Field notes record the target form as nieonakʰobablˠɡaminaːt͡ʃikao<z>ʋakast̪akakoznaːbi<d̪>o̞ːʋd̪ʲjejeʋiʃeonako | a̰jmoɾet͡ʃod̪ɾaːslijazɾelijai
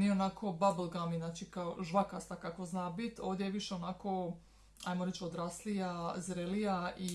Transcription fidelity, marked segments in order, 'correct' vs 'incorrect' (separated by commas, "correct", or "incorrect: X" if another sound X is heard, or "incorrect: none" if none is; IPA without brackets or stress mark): incorrect: ʒ, incorrect: t̪